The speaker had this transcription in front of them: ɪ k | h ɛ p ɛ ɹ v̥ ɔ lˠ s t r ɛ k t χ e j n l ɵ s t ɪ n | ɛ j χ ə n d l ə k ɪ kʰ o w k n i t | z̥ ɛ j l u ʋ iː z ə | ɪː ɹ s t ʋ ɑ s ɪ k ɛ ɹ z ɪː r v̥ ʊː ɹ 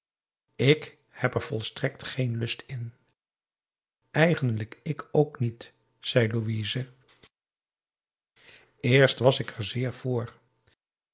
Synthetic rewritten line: ɪ k | h ɛ p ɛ ɹ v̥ ɔ lˠ s t r ɛ k t χ e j n l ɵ s t ɪ n | ɛ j χ ə n d l ə k ɪ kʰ o w k n i t | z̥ ɛ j l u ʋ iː z ə | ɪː ɹ s t ʋ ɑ s ɪ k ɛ ɹ z ɪː ɹ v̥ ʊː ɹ